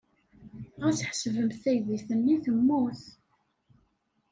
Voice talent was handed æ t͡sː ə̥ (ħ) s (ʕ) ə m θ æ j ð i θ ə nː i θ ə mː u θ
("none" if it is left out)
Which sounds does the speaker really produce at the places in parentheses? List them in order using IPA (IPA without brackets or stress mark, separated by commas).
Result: ħ, v